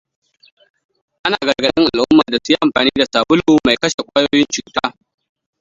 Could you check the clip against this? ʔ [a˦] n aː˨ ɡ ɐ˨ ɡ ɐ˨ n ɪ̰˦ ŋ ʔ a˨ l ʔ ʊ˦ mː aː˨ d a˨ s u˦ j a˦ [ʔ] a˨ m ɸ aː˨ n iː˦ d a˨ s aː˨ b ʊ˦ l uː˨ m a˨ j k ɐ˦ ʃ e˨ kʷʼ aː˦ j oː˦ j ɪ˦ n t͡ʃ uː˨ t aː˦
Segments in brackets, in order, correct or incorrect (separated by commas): correct, correct